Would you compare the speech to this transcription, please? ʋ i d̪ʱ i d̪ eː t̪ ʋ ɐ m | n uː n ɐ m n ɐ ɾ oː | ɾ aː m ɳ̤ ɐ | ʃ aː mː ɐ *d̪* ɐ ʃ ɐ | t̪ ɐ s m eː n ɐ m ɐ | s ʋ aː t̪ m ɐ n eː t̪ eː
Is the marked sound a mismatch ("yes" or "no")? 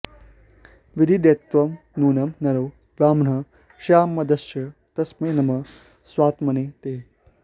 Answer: no